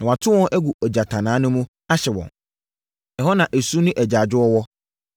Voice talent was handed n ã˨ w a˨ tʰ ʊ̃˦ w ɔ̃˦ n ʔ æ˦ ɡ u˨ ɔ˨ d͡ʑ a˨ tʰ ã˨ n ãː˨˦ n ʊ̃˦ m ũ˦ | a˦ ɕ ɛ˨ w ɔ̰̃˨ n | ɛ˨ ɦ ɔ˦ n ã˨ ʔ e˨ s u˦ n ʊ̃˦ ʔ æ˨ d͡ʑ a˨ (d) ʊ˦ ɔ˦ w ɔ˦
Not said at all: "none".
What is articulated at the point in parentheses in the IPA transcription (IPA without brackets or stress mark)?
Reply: d͡ʑ